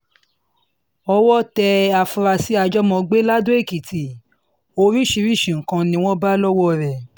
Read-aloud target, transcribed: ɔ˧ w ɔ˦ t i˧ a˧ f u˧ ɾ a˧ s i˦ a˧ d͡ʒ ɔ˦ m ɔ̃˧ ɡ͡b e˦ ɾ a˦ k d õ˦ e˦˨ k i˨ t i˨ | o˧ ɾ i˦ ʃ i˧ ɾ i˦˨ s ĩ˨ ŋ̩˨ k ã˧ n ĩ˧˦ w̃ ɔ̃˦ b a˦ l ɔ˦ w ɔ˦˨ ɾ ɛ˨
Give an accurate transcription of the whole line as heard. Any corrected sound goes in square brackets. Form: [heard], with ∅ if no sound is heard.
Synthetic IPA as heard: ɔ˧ w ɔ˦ t [ɛ˧] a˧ f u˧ ɾ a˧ s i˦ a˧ d͡ʒ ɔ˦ m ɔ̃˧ ɡ͡b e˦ [l] a˦ [∅] d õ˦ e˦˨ k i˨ t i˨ | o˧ ɾ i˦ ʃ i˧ ɾ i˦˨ [ʃ] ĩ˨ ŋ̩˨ k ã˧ n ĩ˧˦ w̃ ɔ̃˦ b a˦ l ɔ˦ w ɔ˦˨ ɾ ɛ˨